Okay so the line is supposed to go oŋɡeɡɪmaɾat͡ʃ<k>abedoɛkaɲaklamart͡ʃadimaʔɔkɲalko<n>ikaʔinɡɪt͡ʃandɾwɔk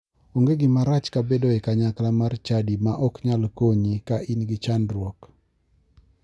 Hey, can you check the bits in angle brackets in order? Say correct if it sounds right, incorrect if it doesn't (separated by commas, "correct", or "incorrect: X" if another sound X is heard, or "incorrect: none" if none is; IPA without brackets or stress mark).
correct, incorrect: ɲ